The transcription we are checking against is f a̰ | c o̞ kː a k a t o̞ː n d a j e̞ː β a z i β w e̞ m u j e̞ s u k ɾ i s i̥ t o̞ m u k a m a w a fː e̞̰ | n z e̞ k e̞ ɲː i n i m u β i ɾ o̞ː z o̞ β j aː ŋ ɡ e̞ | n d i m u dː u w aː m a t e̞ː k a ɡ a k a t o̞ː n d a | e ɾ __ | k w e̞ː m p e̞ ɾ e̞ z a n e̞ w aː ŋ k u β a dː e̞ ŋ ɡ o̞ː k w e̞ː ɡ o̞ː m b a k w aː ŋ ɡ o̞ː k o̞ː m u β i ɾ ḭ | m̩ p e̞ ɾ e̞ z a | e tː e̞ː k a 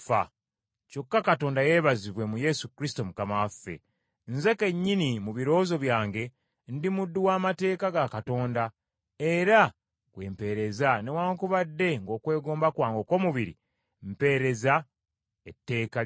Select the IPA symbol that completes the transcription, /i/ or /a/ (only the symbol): a